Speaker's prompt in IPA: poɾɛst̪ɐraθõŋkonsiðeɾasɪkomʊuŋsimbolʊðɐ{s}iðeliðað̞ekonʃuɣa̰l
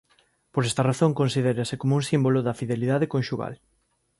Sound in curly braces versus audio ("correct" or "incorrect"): incorrect